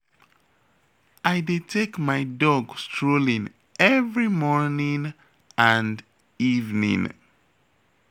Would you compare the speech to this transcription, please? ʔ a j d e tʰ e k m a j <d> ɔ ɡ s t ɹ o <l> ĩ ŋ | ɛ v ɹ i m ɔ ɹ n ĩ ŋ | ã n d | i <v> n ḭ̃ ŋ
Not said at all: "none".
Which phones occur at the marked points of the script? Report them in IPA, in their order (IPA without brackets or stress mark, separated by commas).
d, l, v